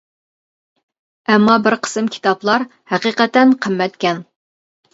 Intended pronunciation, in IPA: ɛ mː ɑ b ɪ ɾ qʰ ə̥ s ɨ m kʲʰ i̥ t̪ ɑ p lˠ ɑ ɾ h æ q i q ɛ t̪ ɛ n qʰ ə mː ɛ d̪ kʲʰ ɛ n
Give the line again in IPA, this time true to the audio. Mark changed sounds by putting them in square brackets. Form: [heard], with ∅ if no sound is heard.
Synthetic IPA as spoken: ɛ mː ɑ b ɪ ɾ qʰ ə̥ s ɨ m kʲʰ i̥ t̪ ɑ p lˠ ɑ ɾ h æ q i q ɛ t̪ ɛ n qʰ ə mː ɛ [t̪] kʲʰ ɛ n